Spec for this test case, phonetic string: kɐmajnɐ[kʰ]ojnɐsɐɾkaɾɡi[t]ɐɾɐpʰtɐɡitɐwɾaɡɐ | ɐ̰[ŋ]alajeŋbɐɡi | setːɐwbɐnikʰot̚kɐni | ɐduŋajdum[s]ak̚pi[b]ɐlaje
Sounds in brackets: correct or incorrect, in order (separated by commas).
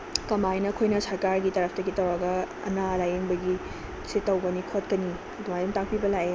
correct, correct, incorrect, incorrect, correct